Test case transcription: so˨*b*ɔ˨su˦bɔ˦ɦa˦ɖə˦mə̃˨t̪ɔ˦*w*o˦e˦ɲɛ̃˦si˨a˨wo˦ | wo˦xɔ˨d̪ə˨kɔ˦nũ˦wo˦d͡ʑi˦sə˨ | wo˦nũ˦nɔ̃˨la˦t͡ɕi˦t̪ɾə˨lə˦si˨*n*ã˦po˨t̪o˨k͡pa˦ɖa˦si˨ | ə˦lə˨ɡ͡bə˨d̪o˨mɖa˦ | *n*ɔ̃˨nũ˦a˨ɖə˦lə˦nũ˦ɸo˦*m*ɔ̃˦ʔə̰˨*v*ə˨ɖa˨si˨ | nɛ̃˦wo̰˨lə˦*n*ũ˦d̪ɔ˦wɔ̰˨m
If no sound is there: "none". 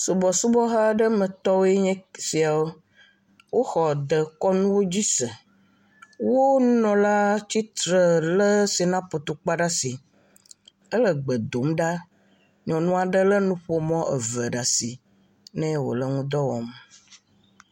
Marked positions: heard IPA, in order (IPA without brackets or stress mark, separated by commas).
b, w, n, ɲ, m, v, ŋ